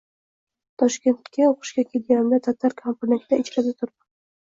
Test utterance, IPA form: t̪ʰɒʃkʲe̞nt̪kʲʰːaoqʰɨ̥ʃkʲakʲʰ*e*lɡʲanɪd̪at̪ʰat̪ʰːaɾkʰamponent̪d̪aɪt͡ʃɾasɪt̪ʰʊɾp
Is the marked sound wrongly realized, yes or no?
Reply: no